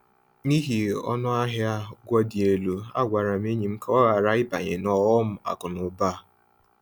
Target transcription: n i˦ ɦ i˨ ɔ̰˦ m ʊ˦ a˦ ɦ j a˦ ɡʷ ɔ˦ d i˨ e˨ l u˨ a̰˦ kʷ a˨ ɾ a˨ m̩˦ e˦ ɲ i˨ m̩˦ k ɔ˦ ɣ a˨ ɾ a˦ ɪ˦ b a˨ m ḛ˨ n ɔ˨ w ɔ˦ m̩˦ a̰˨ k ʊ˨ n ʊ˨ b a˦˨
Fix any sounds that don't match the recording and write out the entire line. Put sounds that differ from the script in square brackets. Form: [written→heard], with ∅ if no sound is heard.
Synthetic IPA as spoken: n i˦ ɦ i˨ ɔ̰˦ [m→n] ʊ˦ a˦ ɦ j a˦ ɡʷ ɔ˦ d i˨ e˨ l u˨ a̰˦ [kʷ→ɡʷ] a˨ ɾ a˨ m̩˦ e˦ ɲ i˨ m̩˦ k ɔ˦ ɣ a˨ ɾ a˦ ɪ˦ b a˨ [m→ɲ] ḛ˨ n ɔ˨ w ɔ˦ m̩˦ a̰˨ k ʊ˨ n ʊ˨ b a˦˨